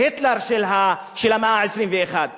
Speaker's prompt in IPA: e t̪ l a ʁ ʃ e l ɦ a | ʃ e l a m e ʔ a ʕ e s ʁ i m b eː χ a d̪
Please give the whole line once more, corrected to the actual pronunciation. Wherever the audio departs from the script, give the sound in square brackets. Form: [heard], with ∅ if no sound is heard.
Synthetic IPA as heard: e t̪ l a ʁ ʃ e l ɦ a | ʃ e l a m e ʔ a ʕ e s ʁ i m [v] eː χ a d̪